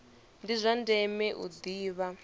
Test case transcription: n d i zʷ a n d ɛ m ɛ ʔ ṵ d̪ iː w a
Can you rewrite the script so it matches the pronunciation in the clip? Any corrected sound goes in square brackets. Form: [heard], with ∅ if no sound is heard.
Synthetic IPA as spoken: n d i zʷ a n d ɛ m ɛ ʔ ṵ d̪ iː [β] a